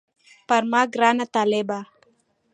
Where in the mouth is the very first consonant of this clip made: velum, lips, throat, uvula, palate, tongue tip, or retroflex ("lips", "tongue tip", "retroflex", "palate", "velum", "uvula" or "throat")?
lips